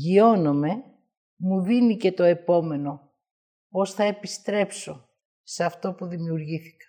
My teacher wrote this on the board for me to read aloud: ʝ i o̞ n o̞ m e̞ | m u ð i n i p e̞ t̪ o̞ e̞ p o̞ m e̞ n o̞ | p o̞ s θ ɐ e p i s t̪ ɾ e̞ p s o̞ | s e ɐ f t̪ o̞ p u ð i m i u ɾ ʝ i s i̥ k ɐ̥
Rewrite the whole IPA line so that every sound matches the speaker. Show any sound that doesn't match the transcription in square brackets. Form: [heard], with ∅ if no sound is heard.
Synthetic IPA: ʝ i o̞ n o̞ m e̞ | m u ð i n i [c] e̞ t̪ o̞ e̞ p o̞ m e̞ n o̞ | p o̞ s θ ɐ e p i s t̪ ɾ e̞ p s o̞ | s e ɐ f t̪ o̞ p u ð i m i u ɾ ʝ i [θ] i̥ k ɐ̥